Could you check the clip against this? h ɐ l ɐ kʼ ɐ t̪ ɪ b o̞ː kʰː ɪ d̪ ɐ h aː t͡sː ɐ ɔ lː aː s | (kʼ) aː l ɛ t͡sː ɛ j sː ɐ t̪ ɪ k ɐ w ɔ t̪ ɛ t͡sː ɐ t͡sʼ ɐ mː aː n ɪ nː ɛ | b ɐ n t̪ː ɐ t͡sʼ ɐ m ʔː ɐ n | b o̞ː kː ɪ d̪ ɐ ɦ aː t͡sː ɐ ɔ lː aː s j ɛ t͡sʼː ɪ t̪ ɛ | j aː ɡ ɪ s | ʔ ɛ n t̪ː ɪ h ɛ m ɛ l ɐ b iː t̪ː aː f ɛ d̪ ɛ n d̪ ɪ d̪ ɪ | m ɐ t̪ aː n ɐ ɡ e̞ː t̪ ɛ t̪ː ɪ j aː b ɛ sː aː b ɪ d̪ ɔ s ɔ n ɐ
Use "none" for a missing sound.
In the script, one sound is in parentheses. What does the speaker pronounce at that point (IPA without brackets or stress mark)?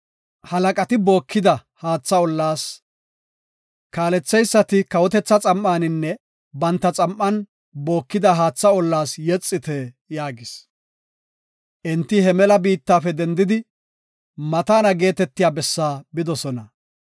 k